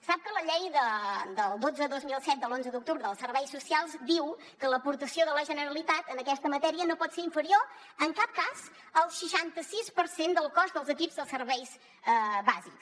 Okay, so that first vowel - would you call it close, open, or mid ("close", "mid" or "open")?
open